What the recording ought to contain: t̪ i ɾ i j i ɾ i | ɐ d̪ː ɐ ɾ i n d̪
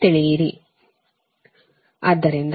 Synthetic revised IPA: t̪ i ɭ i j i ɾ i | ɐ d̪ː ɐ ɾ i n d̪